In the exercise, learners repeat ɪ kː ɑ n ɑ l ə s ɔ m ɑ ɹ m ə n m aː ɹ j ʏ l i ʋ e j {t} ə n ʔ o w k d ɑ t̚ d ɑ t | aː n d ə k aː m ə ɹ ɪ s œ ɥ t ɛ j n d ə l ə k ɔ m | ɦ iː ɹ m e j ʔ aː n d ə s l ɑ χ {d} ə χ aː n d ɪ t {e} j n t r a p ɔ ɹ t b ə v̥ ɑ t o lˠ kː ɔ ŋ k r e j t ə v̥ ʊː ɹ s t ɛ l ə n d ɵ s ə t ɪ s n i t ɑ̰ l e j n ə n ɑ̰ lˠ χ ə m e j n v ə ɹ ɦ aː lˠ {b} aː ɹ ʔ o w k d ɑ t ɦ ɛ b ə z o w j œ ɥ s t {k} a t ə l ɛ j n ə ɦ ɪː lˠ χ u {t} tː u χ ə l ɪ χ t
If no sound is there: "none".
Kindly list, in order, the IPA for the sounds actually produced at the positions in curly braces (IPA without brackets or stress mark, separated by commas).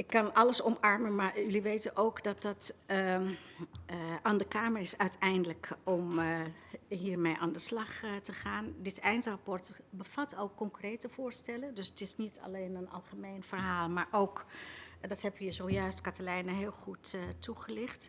t, t, ɛ, m, k, t